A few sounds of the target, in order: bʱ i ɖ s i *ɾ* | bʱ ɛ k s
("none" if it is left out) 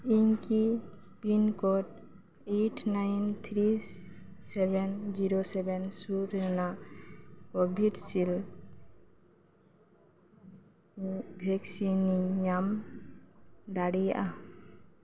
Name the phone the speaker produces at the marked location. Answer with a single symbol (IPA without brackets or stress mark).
l